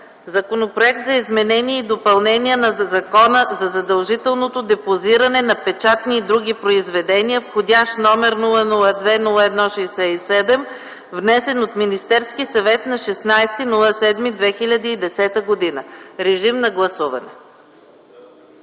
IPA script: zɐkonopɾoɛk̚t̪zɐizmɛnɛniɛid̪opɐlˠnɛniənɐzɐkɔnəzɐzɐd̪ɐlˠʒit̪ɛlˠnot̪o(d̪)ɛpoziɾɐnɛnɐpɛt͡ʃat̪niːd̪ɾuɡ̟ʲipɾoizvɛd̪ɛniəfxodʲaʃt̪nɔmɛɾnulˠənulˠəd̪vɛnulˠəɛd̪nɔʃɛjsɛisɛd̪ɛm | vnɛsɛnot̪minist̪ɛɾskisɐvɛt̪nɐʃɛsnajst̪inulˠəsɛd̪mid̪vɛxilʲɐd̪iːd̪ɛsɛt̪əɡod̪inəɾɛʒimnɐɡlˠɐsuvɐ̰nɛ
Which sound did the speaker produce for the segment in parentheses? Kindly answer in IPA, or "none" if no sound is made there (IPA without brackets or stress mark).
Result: d̪